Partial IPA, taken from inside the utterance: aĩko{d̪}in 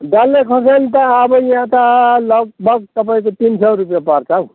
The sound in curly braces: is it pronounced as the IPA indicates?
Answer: no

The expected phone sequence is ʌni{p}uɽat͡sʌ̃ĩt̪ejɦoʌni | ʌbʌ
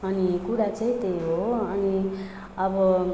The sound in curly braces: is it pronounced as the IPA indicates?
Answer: no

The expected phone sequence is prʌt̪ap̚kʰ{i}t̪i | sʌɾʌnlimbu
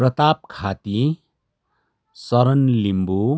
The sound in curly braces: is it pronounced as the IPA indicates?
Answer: no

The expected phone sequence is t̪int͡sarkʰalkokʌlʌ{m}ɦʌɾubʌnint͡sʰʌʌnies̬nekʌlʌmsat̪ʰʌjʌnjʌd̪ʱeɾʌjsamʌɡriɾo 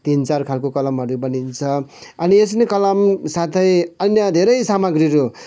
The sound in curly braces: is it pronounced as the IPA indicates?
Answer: yes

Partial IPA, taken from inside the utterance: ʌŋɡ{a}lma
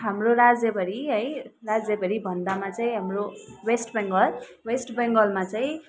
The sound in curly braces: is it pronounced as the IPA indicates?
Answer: no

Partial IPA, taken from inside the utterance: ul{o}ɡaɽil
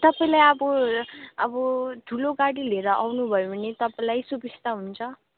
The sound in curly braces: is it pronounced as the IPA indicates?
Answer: yes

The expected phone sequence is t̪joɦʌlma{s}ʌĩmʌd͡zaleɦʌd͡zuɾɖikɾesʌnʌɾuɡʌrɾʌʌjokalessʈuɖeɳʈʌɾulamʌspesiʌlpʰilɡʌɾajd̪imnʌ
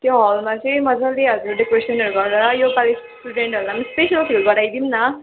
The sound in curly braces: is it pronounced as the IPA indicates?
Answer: no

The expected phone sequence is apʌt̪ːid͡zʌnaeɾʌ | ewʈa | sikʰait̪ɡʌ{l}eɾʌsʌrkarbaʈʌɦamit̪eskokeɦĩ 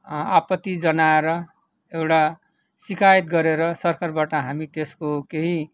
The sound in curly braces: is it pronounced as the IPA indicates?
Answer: no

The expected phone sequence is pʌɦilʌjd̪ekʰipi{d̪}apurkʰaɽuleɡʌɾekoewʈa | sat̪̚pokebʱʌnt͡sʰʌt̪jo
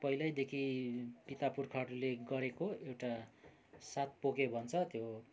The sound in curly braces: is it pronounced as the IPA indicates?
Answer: no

